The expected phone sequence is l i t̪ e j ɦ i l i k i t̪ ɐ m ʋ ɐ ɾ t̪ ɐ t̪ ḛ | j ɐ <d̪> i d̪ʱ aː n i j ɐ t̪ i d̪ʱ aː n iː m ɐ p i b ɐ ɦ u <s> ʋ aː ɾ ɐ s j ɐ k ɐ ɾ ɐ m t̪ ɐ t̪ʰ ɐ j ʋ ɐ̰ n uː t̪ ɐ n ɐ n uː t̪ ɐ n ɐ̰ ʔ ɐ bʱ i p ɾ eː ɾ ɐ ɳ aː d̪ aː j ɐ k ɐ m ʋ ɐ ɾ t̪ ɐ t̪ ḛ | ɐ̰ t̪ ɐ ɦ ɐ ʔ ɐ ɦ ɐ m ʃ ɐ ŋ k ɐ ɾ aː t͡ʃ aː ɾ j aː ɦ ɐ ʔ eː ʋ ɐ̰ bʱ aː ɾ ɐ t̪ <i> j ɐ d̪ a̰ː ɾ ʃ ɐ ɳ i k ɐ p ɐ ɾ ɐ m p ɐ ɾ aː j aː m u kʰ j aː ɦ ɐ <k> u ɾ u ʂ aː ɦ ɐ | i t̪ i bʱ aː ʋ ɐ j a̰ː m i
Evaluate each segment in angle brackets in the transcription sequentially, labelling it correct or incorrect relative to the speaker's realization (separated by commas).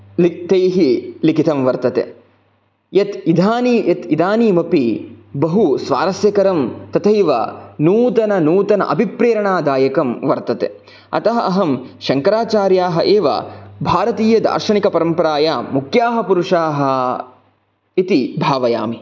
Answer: incorrect, correct, incorrect, incorrect